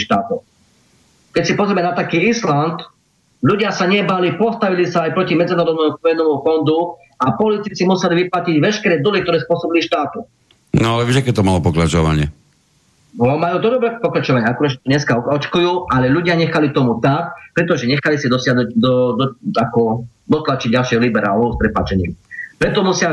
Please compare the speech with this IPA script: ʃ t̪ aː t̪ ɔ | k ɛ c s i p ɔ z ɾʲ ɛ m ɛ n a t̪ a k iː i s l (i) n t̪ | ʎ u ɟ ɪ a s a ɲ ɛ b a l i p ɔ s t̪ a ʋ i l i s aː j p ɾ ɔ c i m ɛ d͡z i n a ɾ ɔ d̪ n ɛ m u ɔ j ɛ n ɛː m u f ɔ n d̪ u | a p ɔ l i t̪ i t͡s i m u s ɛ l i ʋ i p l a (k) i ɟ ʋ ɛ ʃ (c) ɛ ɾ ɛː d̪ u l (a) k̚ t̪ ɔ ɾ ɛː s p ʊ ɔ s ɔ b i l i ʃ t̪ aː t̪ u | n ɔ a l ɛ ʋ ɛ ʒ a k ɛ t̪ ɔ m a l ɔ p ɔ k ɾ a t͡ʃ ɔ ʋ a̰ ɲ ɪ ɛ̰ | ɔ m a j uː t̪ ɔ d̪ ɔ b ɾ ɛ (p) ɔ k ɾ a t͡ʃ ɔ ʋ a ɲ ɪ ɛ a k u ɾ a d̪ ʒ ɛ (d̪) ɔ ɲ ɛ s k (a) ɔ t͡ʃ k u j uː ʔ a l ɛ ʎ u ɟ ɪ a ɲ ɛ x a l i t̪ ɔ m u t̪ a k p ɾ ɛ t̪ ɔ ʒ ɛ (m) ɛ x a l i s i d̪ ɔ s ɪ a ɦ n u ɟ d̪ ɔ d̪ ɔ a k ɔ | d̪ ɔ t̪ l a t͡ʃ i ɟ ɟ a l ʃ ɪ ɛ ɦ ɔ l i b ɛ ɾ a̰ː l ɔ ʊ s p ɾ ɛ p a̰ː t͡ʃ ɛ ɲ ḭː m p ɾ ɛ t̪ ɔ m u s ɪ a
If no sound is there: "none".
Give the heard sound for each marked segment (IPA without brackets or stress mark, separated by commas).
a, c, k, i, p, t̪, a, ɲ